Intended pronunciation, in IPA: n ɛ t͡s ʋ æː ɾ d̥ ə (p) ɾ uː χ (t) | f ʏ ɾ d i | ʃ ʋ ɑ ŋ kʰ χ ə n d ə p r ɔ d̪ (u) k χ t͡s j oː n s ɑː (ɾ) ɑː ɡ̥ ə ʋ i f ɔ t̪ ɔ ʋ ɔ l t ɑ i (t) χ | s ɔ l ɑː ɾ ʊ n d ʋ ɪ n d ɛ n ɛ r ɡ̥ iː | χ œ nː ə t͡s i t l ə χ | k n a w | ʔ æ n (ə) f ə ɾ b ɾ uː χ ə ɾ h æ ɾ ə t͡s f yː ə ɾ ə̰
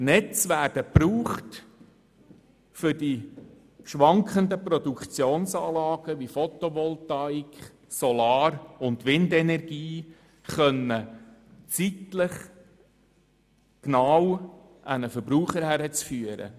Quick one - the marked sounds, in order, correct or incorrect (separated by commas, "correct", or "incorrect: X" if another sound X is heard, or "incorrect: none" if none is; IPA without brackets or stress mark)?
correct, correct, correct, incorrect: l, incorrect: k, correct